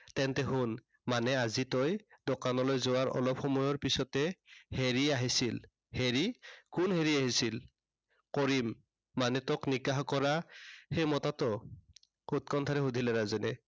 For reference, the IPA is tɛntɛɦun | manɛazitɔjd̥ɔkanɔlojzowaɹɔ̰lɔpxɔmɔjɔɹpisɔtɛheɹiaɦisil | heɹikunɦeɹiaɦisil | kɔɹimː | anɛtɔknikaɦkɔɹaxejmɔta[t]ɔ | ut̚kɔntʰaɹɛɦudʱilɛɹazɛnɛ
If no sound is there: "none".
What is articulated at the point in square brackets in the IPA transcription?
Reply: t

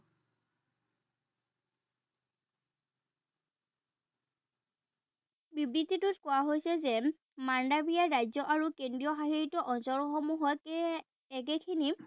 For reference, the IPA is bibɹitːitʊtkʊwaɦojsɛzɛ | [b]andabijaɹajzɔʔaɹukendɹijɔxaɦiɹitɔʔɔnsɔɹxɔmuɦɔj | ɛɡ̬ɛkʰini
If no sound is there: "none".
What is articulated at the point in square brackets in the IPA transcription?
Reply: m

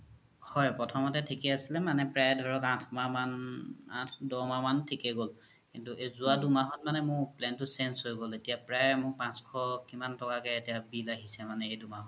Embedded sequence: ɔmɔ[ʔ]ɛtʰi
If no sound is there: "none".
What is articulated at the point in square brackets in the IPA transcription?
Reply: t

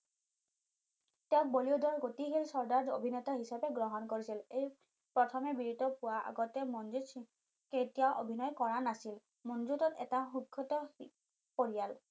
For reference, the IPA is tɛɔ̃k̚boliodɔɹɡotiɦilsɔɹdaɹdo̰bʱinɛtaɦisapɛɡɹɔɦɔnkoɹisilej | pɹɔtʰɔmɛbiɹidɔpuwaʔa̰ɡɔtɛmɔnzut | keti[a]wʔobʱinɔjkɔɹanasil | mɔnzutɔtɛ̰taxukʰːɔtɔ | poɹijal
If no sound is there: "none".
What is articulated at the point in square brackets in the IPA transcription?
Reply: a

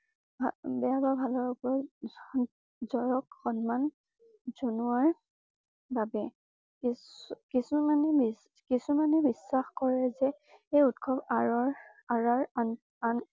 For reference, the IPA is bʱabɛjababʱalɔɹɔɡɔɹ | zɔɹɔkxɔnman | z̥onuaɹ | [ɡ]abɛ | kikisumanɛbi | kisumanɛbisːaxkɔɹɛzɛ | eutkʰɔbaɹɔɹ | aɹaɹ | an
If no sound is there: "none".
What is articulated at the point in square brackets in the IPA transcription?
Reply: b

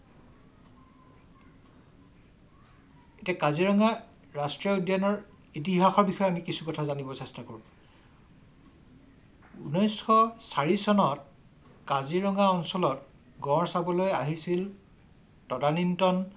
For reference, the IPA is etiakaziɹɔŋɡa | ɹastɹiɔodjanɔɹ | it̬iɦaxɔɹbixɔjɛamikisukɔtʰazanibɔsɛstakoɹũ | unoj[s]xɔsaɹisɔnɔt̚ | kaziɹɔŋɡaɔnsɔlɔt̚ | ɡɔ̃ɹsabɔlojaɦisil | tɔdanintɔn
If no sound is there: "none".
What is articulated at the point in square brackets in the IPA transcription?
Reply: s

